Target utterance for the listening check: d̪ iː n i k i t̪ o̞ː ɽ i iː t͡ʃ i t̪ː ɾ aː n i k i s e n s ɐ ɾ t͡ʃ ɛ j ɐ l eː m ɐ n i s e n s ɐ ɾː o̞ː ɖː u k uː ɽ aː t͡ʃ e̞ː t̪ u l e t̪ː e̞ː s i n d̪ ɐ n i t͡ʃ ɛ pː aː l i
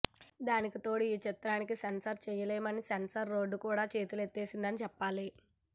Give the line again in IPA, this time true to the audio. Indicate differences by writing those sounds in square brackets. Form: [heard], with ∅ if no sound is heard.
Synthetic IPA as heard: d̪ [aː] n i k i t̪ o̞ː ɽ i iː t͡ʃ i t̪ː ɾ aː n i k i s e n s ɐ ɾ t͡ʃ ɛ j ɐ l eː m ɐ n i s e n s ɐ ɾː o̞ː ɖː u k uː ɽ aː t͡ʃ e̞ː t̪ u l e t̪ː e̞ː s i n d̪ ɐ n i t͡ʃ ɛ pː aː l i